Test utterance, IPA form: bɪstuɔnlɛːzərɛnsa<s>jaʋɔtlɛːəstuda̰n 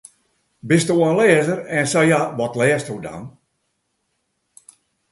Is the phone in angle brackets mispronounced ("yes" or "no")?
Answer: yes